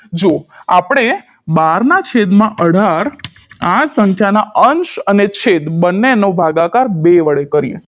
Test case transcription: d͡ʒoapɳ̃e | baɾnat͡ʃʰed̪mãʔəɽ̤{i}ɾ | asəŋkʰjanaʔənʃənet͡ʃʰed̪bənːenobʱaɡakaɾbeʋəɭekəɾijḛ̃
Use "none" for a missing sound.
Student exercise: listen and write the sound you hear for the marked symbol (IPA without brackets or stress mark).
a